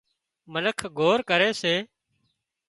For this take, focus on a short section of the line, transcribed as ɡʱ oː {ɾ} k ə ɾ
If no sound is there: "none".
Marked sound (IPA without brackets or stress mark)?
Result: ɾ